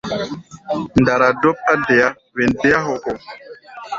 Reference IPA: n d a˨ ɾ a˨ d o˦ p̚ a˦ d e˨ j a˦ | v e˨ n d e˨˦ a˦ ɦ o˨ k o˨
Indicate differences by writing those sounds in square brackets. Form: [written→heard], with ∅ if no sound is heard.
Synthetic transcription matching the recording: n d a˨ ɾ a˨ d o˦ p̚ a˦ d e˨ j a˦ | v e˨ n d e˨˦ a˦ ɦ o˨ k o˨